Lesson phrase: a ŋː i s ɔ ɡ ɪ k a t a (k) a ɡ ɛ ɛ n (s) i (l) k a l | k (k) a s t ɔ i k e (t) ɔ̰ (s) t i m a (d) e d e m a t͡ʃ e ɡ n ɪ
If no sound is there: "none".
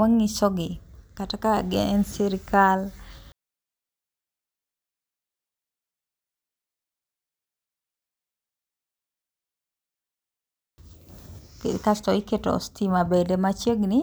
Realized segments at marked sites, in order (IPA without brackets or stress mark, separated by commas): k, s, ɾ, k, t, s, b